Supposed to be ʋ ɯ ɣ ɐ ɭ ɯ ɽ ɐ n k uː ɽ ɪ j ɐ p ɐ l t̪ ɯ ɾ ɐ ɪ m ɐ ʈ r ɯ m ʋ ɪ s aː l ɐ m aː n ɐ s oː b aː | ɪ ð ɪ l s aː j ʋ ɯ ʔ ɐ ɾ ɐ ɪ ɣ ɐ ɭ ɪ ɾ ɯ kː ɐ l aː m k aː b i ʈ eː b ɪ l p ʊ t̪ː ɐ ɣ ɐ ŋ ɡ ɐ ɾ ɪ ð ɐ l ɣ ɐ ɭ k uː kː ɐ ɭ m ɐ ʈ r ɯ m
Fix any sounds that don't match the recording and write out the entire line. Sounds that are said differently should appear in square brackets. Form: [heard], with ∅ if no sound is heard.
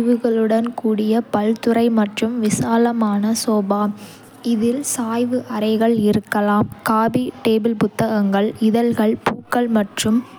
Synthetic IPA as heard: ʋ ɯ ɣ ɐ ɭ ɯ ɽ ɐ n k uː ɽ ɪ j ɐ p ɐ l t̪ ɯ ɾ ɐ ɪ m ɐ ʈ r ɯ m ʋ ɪ s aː l ɐ m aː n ɐ s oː b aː | ɪ ð ɪ l s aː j ʋ ɯ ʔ ɐ ɾ ɐ ɪ ɣ ɐ ɭ ɪ ɾ ɯ kː ɐ l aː m k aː b i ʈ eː b ɪ l p ʊ t̪ː ɐ ɣ ɐ ŋ ɡ ɐ [ɭ] ɪ ð ɐ l ɣ ɐ ɭ [p] uː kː ɐ ɭ m ɐ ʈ r ɯ m